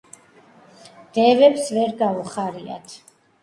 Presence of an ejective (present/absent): absent